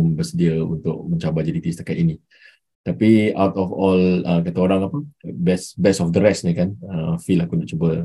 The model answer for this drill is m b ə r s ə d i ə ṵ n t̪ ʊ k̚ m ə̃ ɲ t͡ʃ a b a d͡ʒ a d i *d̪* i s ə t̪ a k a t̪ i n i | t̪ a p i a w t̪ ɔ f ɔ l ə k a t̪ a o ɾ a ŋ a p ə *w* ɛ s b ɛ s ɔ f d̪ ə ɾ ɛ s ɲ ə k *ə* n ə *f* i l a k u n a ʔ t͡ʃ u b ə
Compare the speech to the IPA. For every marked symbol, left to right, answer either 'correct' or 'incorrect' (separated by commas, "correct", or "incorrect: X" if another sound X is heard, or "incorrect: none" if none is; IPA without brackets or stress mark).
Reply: incorrect: t̪, incorrect: b, incorrect: a, correct